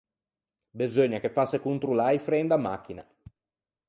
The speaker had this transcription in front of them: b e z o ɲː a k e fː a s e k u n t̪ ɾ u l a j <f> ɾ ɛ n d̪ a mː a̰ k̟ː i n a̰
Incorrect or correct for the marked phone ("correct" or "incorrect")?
correct